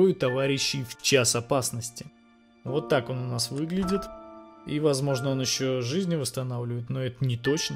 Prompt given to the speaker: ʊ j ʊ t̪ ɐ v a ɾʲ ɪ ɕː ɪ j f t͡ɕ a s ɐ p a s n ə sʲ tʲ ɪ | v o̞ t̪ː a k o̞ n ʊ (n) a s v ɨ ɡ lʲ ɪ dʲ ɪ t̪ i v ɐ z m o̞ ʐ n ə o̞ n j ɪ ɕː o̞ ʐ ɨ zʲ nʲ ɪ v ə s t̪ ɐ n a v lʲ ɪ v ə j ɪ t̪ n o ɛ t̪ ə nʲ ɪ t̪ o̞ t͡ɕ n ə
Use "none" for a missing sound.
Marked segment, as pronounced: n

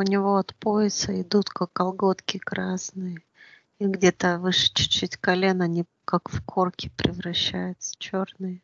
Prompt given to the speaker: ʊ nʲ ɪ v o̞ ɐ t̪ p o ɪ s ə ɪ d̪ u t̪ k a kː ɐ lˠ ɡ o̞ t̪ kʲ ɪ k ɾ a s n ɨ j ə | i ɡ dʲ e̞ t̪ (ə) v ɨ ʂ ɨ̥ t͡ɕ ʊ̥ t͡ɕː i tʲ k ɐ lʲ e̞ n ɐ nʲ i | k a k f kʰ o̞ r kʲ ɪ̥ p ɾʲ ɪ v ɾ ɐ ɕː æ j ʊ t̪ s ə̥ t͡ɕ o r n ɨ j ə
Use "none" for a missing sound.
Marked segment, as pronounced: ə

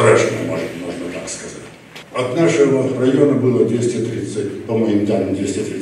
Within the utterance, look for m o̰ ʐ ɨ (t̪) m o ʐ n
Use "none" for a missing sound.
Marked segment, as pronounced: t̪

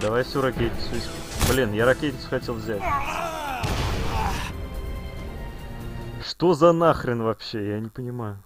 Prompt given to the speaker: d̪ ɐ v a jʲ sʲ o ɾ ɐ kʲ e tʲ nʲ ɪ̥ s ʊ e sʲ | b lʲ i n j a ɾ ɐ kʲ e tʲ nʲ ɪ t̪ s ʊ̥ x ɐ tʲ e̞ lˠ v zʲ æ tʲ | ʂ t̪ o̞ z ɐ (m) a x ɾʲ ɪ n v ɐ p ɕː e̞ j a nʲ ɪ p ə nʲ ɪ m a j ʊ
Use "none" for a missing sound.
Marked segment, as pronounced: n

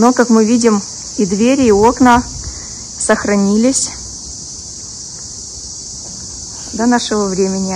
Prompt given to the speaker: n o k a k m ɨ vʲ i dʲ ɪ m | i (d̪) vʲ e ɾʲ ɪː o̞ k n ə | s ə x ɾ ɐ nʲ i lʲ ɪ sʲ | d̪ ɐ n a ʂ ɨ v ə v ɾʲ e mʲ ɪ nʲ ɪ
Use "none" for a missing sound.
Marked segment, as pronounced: d̪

